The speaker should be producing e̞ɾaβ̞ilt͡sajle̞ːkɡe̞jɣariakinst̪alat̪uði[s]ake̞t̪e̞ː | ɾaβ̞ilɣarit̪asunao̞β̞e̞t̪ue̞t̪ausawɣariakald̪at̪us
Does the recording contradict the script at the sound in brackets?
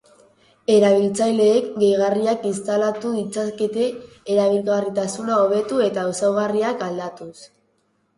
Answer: yes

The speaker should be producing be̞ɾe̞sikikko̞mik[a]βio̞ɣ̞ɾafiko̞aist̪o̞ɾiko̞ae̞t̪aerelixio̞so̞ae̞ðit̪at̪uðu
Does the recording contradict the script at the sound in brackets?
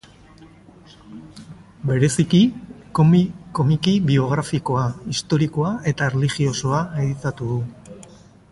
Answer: yes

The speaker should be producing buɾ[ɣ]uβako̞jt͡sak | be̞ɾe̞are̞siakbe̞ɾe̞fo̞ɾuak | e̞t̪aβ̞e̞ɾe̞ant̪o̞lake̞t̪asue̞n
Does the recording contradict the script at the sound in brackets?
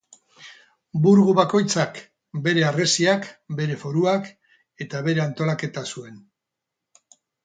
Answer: no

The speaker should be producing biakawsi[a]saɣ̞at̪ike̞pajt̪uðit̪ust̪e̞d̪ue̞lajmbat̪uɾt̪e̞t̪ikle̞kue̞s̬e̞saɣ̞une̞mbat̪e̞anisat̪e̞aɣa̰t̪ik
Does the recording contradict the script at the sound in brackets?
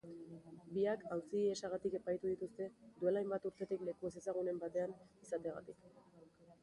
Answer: yes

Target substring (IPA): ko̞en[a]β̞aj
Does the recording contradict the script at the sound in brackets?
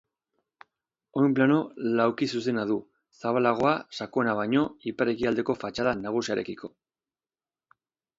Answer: no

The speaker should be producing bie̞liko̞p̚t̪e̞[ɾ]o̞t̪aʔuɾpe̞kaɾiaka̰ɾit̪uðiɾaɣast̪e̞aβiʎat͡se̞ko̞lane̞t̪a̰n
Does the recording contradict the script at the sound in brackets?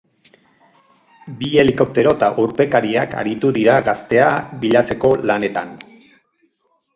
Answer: no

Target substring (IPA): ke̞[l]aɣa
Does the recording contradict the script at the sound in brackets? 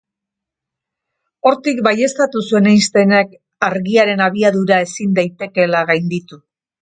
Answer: no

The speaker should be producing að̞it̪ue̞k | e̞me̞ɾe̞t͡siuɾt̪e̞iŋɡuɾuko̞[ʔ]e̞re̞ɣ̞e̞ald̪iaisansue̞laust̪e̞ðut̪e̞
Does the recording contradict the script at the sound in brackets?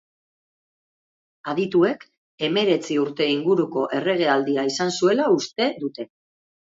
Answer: no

